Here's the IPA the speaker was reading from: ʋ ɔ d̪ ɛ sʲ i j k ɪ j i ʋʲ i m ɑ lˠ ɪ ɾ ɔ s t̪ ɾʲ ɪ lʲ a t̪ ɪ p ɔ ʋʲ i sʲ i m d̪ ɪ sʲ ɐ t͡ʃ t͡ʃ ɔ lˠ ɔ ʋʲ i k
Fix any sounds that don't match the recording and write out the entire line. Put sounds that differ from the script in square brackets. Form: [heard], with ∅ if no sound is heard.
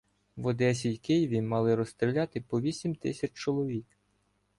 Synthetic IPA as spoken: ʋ ɔ d̪ ɛ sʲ i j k ɪ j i ʋʲ i m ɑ lˠ ɪ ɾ ɔ s t̪ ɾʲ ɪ lʲ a t̪ ɪ p ɔ ʋʲ i sʲ i m [t̪] ɪ sʲ ɐ t͡ʃ t͡ʃ ɔ lˠ ɔ ʋʲ i k